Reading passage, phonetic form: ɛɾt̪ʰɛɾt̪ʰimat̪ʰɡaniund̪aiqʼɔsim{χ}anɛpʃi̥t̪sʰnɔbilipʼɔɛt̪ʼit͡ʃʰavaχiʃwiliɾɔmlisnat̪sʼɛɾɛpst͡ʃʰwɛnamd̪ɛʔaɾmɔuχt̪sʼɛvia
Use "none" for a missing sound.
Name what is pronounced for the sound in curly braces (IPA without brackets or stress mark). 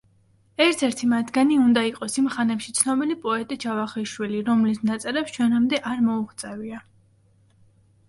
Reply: χ